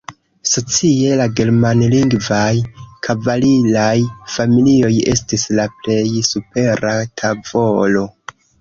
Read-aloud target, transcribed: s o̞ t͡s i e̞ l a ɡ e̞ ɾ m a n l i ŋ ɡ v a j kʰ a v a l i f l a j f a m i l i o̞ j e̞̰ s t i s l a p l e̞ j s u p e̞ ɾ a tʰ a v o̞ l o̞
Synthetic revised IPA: s o̞ t͡s i e̞ l a ɡ e̞ ɾ m a n l i ŋ ɡ v a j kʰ a v a l i l a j f a m i l i o̞ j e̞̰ s t i s l a p l e̞ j s u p e̞ ɾ a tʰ a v o̞ l o̞